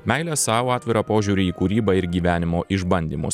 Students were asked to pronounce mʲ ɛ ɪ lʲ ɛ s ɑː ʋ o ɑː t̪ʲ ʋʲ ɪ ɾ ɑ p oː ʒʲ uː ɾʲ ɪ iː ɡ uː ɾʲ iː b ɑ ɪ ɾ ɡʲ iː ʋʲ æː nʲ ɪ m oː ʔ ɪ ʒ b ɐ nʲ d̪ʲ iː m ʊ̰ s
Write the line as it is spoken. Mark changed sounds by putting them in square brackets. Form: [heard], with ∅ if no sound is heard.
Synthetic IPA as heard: mʲ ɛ ɪ lʲ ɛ s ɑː ʋ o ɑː t̪ʲ ʋʲ ɪ ɾ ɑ p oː ʒʲ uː ɾʲ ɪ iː [k] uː ɾʲ iː b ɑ ɪ ɾ ɡʲ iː ʋʲ æː nʲ ɪ m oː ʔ ɪ ʒ b ɐ nʲ d̪ʲ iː m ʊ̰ s